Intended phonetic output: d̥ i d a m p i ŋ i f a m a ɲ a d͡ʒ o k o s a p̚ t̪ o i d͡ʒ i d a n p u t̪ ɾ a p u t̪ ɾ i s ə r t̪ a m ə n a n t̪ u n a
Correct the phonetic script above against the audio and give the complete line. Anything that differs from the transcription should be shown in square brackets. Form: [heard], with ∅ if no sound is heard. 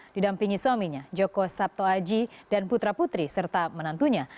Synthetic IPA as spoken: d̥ i d a m p i ŋ i [s] a m [i] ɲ a d͡ʒ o k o s a p̚ t̪ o [a] d͡ʒ i d a n p u t̪ ɾ a p u t̪ ɾ i s ə r t̪ a m ə n a n t̪ u [ɲ] a